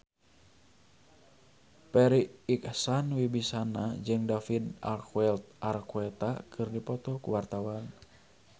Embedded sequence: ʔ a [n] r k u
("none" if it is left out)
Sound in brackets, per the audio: none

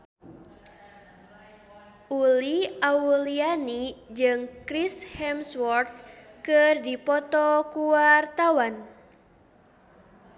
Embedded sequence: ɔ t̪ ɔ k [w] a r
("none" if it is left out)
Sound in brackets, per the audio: u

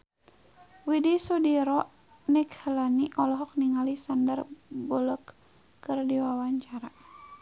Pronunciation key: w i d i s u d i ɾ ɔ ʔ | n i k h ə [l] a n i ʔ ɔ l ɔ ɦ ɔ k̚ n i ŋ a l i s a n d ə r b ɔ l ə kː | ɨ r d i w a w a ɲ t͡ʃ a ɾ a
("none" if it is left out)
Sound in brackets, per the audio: l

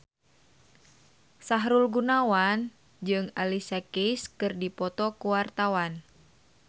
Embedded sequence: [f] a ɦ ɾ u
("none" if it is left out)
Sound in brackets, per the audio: s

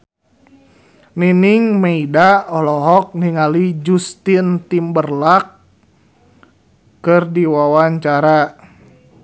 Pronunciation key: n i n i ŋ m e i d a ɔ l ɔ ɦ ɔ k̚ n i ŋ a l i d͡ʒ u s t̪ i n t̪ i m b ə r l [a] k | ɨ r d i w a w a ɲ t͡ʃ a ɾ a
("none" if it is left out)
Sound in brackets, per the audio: a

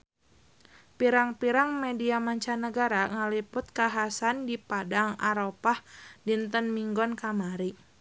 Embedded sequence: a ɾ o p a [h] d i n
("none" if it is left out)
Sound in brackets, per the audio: h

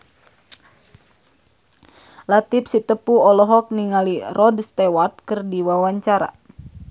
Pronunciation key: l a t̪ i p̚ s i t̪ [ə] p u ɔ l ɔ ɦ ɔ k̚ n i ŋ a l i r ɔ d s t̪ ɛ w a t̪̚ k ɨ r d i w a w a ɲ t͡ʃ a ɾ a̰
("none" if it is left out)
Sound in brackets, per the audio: ə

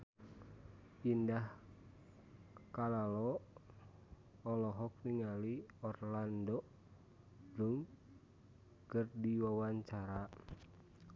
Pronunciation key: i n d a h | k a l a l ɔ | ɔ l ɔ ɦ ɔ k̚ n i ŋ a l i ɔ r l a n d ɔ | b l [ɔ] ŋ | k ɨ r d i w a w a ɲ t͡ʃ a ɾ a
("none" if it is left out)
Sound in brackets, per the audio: u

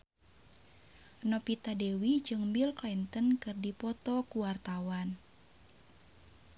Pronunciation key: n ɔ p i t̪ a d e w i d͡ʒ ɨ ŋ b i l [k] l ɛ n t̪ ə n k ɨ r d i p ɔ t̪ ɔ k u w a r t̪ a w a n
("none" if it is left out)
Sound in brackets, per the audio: k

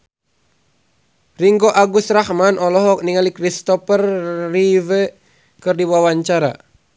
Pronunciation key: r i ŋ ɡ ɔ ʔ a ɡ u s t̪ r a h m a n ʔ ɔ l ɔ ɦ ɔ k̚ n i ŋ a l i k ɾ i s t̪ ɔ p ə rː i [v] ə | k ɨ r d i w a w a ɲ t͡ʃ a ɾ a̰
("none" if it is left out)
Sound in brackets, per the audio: v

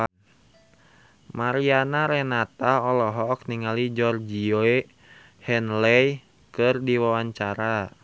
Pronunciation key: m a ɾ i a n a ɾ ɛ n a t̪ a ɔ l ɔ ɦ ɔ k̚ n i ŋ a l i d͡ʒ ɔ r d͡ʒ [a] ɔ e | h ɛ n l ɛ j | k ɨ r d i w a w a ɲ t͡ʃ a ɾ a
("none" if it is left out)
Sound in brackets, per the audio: i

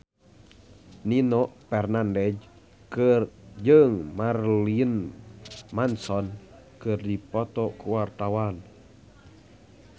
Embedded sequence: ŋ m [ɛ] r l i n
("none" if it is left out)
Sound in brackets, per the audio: a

